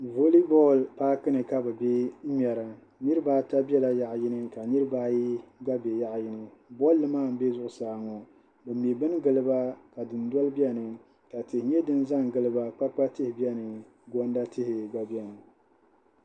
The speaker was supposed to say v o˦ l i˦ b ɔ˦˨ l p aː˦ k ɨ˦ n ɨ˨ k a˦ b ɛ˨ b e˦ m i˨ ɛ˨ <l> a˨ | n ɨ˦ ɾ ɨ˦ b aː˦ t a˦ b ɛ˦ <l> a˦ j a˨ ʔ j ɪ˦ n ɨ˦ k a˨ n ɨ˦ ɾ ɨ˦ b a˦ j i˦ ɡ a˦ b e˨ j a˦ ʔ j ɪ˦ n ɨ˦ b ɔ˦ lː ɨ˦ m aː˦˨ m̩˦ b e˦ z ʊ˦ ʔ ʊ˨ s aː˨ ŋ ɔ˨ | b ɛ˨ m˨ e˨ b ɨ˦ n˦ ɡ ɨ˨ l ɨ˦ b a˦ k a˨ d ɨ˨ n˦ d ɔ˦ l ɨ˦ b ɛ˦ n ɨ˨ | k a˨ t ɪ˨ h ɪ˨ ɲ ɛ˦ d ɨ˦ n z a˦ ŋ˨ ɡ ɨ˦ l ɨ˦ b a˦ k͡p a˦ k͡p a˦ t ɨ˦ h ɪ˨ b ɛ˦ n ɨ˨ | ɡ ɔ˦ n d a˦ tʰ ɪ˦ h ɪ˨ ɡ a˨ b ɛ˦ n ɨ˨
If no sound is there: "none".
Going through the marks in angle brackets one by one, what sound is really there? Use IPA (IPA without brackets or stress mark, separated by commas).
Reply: ɾ, l